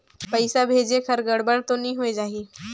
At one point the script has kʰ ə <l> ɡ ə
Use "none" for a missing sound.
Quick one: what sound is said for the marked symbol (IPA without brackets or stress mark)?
ɾ